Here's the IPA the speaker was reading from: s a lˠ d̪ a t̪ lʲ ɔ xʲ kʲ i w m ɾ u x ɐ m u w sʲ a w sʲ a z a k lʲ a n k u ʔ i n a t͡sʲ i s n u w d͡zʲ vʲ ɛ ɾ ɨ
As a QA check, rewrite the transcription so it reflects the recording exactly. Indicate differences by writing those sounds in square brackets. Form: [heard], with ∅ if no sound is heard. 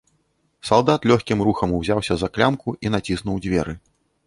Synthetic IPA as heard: s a lˠ d̪ a t̪ lʲ ɔ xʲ kʲ i [∅] m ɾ u x ɐ m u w [zʲ] a w sʲ [ɐ] z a k lʲ a [m] k u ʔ i n a t͡sʲ i s n u w d͡zʲ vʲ ɛ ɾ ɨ